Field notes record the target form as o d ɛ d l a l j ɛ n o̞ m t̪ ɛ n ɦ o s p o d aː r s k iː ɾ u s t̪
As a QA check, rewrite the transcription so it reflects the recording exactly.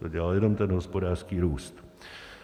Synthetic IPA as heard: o ɟ ɛ l a l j ɛ n o̞ m t̪ ɛ n ɦ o s p o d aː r s k iː ɾ uː s t̪